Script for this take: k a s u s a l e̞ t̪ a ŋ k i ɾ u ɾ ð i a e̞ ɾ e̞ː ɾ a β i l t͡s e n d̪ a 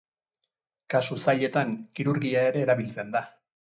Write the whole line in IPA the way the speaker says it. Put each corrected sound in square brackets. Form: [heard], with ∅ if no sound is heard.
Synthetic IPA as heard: k a s u s a [ʎ] e̞ t̪ a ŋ k i ɾ u ɾ [ɣ] i a e̞ ɾ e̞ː ɾ a β i l t͡s e n d̪ a